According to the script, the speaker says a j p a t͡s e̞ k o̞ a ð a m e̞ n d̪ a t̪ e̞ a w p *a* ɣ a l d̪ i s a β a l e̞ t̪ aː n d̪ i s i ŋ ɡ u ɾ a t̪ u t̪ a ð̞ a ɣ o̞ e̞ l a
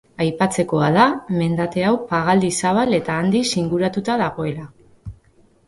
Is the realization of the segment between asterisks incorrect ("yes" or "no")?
no